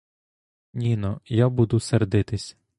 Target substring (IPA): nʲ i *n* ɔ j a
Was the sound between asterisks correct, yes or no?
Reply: yes